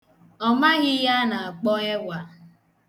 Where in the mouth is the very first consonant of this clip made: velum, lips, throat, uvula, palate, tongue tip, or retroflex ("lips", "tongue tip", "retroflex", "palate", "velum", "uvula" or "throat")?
lips